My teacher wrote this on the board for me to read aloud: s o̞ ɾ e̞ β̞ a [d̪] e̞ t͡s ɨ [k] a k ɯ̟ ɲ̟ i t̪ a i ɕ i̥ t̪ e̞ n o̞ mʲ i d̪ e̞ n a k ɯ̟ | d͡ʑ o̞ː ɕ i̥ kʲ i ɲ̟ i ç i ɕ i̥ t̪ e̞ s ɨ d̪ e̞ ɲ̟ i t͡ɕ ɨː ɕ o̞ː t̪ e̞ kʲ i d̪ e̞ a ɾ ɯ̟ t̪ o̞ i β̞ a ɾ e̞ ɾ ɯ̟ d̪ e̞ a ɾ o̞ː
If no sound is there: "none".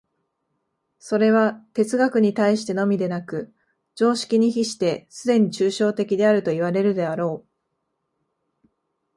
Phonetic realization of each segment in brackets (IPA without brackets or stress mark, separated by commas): t̪, ɡ